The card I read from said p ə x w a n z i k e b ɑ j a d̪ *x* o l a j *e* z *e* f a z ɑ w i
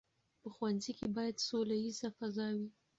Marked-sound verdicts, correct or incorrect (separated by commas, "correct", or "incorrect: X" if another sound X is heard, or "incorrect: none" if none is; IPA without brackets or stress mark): incorrect: s, incorrect: i, incorrect: a